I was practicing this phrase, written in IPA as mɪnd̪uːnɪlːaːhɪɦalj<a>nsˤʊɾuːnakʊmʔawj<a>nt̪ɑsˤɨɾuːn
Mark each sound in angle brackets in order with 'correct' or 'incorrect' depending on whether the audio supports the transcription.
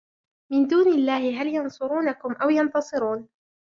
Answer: incorrect: ɑ, incorrect: ɑ

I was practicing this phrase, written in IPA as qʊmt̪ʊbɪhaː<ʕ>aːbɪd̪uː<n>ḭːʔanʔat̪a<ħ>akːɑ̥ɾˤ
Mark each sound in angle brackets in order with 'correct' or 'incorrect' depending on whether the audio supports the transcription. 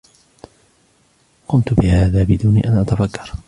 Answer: incorrect: ð, correct, incorrect: f

